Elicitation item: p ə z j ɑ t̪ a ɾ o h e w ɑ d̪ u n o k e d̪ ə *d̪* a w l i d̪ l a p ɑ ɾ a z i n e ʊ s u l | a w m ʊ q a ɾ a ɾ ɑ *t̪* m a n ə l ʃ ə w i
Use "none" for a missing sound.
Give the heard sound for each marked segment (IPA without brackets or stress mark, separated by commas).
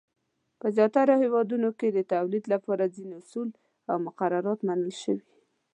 t̪, t̪